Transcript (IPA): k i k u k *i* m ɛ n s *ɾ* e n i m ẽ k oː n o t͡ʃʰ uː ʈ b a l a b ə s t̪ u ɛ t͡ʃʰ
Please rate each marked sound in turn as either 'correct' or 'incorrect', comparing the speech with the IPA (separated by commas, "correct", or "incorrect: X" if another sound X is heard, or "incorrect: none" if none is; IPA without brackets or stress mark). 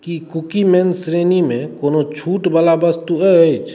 correct, correct